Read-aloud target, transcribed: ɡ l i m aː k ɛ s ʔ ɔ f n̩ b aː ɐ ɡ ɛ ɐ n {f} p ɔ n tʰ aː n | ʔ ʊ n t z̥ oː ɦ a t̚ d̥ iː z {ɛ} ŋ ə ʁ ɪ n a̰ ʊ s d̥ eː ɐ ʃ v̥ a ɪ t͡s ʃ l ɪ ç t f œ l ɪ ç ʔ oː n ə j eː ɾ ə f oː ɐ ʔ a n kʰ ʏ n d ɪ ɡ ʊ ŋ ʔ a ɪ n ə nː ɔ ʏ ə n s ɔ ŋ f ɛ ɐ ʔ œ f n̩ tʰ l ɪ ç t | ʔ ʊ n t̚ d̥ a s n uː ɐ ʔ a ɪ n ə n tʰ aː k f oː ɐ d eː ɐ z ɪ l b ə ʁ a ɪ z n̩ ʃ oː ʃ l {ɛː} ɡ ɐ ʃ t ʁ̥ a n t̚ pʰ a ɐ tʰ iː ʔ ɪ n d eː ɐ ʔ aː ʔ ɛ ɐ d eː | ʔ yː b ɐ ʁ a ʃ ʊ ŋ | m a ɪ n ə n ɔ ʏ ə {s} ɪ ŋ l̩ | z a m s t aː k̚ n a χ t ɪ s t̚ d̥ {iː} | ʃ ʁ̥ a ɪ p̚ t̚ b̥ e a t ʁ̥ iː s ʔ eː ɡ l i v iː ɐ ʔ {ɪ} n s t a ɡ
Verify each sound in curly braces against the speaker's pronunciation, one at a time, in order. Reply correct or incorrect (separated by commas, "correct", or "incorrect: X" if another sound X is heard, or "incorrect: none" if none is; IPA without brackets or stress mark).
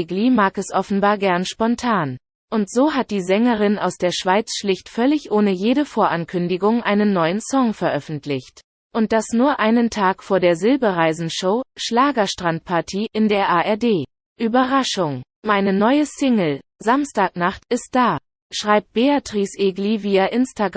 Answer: incorrect: ʃ, correct, incorrect: aː, correct, incorrect: aː, correct